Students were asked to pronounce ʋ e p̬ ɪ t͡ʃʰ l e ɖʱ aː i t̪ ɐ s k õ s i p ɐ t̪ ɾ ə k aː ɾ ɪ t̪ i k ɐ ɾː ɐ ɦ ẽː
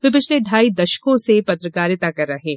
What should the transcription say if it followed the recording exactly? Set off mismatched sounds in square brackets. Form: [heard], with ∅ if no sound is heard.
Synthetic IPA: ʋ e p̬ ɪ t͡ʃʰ l e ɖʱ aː i [d̪] ɐ [ʃ] k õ s [e] p ɐ t̪ ɾ ə k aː ɾ ɪ t̪ [a] k ɐ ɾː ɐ ɦ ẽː

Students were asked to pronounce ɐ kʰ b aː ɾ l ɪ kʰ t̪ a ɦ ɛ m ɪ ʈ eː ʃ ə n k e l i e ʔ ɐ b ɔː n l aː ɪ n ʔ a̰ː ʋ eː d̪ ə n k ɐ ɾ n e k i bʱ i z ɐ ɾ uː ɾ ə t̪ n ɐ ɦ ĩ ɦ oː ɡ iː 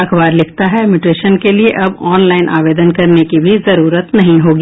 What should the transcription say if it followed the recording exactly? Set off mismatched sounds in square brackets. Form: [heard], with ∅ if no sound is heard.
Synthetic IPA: ɐ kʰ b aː ɾ l ɪ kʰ t̪ a ɦ ɛ m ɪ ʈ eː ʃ ə n k e l i e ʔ ɐ b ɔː n l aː ɪ n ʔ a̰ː ʋ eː d̪ ə n k ɐ ɾ n e k i bʱ i z ɐ ɾ uː ɾ ə t̪ n ɐ ɦ ĩ ɦ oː ɡ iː

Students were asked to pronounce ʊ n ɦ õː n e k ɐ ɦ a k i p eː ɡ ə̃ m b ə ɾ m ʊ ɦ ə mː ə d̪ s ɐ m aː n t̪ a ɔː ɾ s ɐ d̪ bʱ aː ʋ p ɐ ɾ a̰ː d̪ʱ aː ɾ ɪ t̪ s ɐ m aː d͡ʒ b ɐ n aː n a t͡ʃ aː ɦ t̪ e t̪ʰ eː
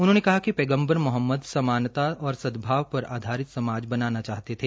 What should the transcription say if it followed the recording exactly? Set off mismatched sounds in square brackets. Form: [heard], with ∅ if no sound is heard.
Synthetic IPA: ʊ n ɦ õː n e k ɐ ɦ a k i p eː ɡ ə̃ m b ə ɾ m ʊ ɦ ə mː ə d̪ s ɐ m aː n t̪ a ɔː ɾ s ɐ d̪ bʱ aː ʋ p ɐ ɾ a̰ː d̪ʱ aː ɾ ɪ t̪ s ɐ m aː d͡ʒ b ɐ n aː n a t͡ʃ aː ɦ t̪ e t̪ʰ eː

